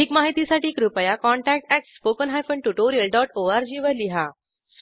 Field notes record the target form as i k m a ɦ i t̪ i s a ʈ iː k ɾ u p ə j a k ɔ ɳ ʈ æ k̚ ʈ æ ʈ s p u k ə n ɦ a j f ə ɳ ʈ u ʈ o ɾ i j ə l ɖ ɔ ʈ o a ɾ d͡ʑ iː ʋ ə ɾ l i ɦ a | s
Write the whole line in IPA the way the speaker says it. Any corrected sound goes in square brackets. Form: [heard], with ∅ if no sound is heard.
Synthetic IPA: i k m a ɦ i t̪ i s a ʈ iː k ɾ u p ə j a k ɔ ɳ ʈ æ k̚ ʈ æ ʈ s p [o] k ə n ɦ a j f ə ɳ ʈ u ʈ o ɾ i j ə l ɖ ɔ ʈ o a ɾ d͡ʑ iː ʋ ə ɾ l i ɦ a | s